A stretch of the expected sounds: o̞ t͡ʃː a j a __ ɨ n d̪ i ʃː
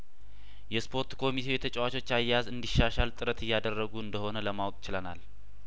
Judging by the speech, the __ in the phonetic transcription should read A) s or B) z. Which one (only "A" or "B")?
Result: B